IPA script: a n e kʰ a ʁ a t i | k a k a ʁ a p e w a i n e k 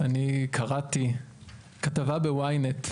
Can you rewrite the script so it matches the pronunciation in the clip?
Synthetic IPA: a n i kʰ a ʁ a t i | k a t a v a b e w a j n e t

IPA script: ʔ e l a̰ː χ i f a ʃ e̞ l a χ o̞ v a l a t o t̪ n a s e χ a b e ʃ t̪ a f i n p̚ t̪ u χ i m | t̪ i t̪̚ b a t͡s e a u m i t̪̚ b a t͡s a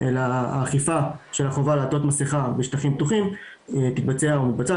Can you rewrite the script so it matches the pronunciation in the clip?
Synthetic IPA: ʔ e l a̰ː χ i f a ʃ e̞ l a χ o̞ v a l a t o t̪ m a s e χ a b e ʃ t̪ a χ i m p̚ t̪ u χ i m | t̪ i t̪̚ b a t͡s e a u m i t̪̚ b a t͡s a

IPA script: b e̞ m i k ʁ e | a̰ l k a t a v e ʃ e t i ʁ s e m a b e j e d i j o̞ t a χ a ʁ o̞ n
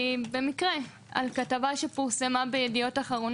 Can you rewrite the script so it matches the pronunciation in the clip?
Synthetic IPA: b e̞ m i k ʁ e | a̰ l k a t a v a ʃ e p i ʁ s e m a b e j e d i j o̞ t a χ a ʁ o̞ n

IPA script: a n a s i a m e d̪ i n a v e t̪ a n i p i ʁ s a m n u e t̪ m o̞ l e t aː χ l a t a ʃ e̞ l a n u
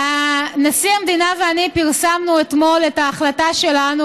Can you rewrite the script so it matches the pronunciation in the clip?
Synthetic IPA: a n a s i a m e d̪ i n a v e a n i p i ʁ s a m n u e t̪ m o̞ l e t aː χ l a t a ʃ e̞ l a n u

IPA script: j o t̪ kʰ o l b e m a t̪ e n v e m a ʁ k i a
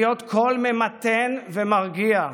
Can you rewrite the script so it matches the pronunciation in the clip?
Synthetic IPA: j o t̪ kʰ o l m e m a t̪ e n v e m a ʁ ɡ i a

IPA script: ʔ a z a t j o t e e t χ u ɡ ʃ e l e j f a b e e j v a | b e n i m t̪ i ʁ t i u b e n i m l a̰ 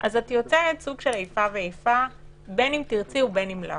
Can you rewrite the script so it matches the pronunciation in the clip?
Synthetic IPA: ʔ a z a t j o t͡s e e t s u ɡ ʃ e l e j f a v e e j f a | b e n i m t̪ i ʁ t͡s i u b e n i m l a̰

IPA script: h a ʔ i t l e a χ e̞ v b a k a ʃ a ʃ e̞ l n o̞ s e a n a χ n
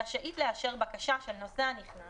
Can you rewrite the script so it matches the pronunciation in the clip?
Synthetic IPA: ʃ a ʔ i t l e a ʃ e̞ ʁ b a k a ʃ a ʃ e̞ l n o̞ s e a n i χ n

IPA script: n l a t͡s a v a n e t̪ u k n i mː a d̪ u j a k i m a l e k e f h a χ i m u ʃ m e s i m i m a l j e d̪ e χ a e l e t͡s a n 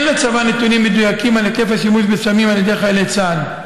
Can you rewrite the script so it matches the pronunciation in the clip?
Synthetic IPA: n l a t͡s a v a n e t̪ u n i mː e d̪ u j a k i m a l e k e f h a ʃ i m u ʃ b e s a m i m a l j e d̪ e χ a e l e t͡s a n

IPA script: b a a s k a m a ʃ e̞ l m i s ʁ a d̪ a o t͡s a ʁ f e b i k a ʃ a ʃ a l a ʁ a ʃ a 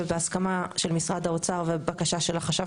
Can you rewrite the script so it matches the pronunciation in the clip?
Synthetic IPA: b e a s k a m a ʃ e̞ l m i s ʁ a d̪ a o t͡s a ʁ v e b a k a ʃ a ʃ e l a χ a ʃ a

